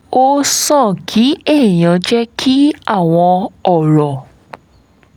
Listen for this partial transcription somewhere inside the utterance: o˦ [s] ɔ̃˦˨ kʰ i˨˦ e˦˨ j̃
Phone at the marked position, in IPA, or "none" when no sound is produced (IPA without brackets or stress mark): s